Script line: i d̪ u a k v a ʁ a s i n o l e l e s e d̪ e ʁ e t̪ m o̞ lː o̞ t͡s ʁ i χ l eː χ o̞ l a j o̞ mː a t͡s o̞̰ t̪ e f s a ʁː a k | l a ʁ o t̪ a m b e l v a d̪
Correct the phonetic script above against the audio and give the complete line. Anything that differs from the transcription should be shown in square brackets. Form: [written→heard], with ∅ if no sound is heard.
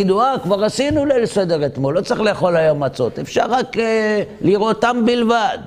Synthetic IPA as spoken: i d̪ u a k v a ʁ a s i n [o→u] l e l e s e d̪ e ʁ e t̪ m o̞ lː o̞ t͡s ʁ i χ l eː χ o̞ l a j o̞ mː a t͡s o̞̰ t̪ e f [s→ʃ] a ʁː a k | l [a→i] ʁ o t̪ a m b [e→i] l v a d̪